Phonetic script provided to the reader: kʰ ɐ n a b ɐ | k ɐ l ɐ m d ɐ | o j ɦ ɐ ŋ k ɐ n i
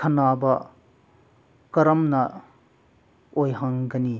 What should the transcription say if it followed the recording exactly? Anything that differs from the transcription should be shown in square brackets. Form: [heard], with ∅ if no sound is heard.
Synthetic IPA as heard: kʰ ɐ n a b ɐ | k ɐ [ɾ] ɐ m [n] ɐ | o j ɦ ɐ ŋ [ɡ] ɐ n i